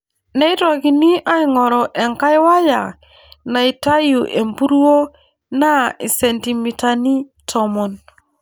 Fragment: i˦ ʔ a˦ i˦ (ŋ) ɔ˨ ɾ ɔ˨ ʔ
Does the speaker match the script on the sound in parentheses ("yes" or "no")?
yes